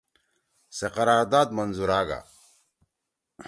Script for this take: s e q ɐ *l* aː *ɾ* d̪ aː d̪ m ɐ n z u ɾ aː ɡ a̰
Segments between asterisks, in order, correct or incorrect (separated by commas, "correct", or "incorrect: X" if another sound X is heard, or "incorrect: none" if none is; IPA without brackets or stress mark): incorrect: ɾ, correct